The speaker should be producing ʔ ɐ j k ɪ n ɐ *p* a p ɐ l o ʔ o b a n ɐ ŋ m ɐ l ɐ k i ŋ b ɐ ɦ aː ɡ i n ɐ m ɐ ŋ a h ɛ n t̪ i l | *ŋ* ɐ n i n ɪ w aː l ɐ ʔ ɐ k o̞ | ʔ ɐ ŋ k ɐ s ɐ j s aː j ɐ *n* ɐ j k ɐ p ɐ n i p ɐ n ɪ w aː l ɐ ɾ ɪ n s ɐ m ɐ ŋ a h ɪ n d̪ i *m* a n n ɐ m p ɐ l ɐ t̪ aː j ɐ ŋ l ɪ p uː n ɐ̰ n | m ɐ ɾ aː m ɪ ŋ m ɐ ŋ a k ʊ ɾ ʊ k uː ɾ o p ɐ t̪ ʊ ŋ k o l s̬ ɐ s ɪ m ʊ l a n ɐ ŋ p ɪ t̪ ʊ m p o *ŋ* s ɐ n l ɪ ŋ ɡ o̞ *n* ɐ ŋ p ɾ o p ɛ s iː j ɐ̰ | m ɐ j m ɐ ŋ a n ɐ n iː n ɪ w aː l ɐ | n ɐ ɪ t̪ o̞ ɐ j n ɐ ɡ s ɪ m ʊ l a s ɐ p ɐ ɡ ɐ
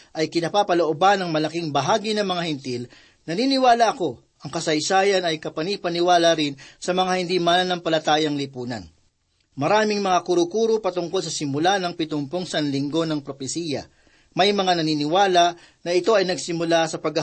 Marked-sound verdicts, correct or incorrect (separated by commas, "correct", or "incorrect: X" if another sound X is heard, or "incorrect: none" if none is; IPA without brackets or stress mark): correct, incorrect: n, correct, correct, correct, correct